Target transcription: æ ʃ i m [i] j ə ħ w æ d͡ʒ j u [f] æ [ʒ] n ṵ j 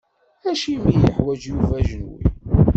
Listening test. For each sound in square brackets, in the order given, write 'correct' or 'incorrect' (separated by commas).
correct, incorrect, correct